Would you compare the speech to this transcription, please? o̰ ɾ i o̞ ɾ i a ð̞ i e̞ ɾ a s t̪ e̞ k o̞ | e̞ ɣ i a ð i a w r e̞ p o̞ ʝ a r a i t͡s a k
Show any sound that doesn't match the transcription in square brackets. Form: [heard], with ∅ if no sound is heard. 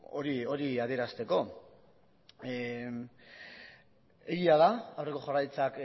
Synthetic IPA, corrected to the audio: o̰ ɾ i o̞ ɾ i a ð̞ i e̞ ɾ a s t̪ e̞ k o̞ | e̞ ɣ i a ð [a] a w r e̞ [k] o̞ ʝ a r a [j] t͡s a k